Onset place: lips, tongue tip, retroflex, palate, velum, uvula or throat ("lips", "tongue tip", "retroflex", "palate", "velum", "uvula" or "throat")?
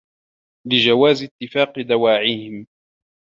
tongue tip